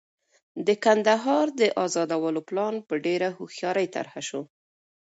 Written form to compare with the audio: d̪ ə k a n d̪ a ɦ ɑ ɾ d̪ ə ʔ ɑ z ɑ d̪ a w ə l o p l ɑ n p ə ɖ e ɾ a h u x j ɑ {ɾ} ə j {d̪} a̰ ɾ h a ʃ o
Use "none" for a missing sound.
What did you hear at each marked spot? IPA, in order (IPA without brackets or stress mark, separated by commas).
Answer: ɾ, t̪